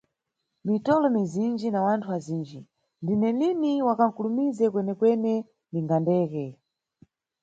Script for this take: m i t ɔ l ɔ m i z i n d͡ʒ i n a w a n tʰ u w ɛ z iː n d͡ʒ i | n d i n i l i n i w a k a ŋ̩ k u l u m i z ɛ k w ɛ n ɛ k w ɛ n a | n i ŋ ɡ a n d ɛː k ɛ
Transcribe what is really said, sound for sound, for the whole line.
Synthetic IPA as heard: m i t ɔ l ɔ m i z i n d͡ʒ i n a w a n tʰ u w a z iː n d͡ʒ i | n d i n ɛ l i n i w a k a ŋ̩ k u l u m i z ɛ k w ɛ n ɛ k w ɛ n ɛ | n i ŋ ɡ a n d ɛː k ɛ